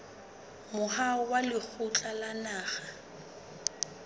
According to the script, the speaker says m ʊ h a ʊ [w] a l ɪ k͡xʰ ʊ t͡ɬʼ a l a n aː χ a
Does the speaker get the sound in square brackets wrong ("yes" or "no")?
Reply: no